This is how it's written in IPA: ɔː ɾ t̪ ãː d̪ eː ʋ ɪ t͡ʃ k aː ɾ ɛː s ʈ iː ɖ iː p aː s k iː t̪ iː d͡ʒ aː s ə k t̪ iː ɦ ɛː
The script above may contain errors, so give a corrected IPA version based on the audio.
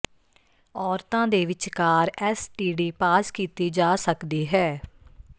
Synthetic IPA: ɔː ɾ t̪ ãː d̪ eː ʋ ɪ t͡ʃ k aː ɾ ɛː s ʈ iː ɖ iː p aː s k iː t̪ iː d͡ʒ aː s ə k d̪ iː ɦ ɛː